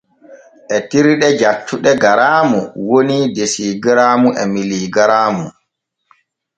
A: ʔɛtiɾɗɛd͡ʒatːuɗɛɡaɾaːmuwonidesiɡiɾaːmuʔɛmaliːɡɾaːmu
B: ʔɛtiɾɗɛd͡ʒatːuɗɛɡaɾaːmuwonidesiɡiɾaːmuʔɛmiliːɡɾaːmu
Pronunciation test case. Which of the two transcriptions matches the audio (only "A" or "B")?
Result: B